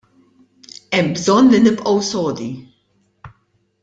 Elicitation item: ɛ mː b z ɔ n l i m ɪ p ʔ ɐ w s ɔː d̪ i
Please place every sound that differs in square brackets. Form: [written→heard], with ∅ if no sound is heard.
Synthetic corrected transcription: ɛ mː b z ɔ n l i [m→n] ɪ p ʔ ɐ w s ɔː d̪ i